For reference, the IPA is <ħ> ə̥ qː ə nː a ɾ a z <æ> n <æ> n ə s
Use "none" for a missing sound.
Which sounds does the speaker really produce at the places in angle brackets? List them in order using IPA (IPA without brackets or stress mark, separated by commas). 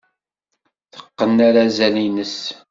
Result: θ, æ, i